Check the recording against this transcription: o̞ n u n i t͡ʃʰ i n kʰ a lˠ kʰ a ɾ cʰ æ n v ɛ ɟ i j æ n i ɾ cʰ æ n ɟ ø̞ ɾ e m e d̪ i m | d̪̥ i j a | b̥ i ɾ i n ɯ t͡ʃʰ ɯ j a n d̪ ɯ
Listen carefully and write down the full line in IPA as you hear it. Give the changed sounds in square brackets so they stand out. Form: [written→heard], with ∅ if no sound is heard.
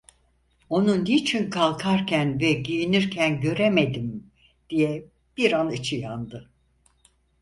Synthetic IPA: o̞ n u n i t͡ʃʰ i n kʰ a lˠ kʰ a ɾ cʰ æ n v ɛ ɟ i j [æ→i] n i ɾ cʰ æ n ɟ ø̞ ɾ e m e d̪ i m | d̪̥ i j [a→ɛ] | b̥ i ɾ [i→a] n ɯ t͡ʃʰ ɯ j a n d̪ ɯ

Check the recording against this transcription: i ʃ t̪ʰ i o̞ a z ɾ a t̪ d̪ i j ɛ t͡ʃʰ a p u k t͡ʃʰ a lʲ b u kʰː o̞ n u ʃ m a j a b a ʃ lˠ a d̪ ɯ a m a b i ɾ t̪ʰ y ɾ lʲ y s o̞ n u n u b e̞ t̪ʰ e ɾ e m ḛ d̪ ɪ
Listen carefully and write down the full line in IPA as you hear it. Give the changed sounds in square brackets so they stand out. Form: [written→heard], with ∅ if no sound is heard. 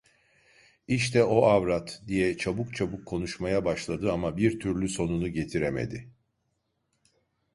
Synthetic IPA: i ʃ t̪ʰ [i→ɛ] o̞ a [z→v] ɾ a t̪ d̪ i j ɛ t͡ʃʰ a [p→b] u k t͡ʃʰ a [lʲ→∅] b u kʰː o̞ n u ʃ m a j a b a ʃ lˠ a d̪ ɯ a m a b i ɾ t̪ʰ y ɾ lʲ y s o̞ n u n u [b→ɟ] e̞ t̪ʰ [e→i] ɾ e m ḛ d̪ ɪ

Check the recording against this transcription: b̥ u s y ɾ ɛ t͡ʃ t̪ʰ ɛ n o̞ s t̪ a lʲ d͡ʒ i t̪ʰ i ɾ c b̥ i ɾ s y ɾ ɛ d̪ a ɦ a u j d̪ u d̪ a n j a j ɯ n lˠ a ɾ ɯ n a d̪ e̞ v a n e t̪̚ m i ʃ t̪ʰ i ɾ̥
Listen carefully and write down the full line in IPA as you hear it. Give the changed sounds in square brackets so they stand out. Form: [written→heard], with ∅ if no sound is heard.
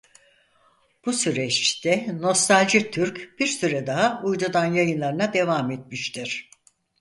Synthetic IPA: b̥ u s y ɾ ɛ t͡ʃ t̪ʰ ɛ n o̞ s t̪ a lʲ d͡ʒ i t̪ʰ [i→y] ɾ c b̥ i ɾ s y ɾ ɛ d̪ a ɦ a u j d̪ u d̪ a n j a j ɯ n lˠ a ɾ ɯ n a d̪ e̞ v a [n→m] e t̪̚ m i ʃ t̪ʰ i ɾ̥

